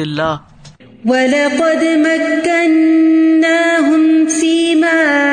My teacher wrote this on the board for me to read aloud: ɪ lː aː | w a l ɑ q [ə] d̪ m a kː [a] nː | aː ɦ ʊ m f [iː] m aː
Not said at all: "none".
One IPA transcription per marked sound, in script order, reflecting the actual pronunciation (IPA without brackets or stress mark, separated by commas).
ɑ, a, iː